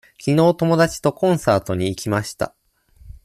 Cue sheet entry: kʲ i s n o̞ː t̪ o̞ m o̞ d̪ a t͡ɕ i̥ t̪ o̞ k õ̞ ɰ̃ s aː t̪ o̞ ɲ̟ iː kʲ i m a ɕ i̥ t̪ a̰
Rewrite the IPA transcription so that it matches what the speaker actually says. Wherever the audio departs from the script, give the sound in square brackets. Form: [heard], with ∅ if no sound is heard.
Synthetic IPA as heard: kʲ i [∅] n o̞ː t̪ o̞ m o̞ d̪ a t͡ɕ i̥ t̪ o̞ k õ̞ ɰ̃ s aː t̪ o̞ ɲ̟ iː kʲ i m a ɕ i̥ t̪ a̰